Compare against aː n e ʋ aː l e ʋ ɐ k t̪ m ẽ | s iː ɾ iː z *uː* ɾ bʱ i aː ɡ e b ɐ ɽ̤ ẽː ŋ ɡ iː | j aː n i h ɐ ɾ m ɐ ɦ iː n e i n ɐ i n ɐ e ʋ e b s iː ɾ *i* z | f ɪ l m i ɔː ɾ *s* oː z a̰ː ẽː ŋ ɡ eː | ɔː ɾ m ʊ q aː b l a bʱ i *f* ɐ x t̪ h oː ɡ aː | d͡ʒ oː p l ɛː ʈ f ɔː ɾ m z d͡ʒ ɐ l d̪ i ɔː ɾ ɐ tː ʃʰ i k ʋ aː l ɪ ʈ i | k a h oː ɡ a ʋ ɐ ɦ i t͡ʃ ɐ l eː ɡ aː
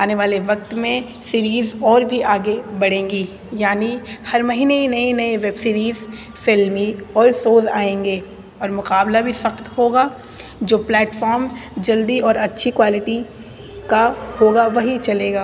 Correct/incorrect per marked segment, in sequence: incorrect: ɔː, incorrect: iː, correct, incorrect: s

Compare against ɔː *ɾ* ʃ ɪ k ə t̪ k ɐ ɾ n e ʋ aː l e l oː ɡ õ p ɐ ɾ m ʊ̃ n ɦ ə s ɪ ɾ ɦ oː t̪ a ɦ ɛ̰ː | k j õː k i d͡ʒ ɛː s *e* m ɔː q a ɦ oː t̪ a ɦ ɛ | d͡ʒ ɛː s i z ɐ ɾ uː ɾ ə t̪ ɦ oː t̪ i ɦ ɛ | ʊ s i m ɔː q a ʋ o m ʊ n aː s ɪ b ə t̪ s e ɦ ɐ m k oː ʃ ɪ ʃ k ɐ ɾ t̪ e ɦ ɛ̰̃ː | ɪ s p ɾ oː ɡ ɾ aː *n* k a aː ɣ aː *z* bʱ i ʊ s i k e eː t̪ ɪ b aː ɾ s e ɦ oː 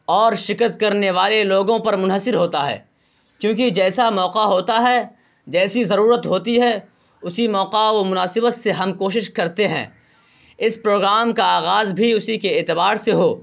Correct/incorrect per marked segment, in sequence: correct, incorrect: a, incorrect: m, correct

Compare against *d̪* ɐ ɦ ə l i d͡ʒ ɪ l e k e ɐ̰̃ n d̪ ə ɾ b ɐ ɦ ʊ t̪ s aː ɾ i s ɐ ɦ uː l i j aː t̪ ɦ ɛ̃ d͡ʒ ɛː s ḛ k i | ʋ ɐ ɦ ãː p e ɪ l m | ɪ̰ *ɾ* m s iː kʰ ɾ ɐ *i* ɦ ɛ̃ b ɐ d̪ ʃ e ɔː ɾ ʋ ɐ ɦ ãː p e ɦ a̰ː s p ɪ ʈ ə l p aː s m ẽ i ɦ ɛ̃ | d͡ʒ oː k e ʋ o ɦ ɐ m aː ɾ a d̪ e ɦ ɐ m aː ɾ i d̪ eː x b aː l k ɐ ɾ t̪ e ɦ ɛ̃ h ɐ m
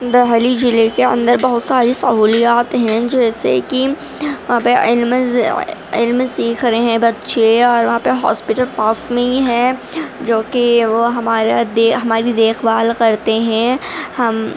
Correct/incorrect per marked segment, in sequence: correct, incorrect: l, incorrect: e

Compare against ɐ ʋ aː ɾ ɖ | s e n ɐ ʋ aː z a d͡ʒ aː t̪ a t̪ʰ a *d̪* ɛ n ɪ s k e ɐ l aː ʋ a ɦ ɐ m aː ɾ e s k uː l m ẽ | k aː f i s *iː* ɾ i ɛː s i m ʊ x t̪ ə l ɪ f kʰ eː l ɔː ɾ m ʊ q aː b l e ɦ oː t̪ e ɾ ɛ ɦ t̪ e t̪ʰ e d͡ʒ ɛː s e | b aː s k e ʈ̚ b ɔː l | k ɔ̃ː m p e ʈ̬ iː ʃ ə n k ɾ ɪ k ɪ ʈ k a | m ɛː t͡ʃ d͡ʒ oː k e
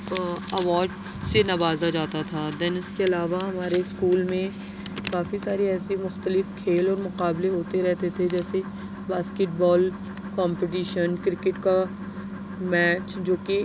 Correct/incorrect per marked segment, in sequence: correct, incorrect: aː

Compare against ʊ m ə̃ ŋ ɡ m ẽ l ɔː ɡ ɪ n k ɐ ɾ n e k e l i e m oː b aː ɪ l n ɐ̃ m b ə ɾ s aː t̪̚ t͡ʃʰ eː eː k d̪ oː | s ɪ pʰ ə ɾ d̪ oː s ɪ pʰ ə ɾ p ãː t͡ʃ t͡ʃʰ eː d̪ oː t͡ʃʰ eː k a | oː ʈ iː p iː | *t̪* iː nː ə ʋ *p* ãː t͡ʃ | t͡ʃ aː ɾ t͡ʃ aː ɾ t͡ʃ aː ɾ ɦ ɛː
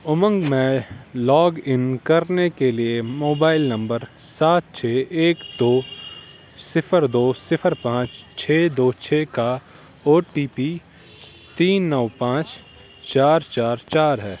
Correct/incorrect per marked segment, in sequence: correct, correct

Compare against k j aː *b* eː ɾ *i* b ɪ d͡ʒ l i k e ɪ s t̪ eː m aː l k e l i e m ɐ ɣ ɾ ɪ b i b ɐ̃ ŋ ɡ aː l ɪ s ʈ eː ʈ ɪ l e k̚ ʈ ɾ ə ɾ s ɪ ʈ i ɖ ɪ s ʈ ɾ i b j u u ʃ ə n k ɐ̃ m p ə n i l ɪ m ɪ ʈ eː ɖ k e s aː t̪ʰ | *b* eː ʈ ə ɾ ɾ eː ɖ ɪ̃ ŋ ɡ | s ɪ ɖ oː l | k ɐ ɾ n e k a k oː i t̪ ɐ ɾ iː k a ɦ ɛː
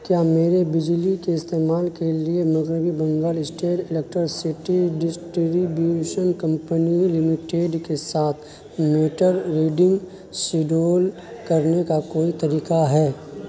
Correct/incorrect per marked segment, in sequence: incorrect: m, incorrect: e, incorrect: m

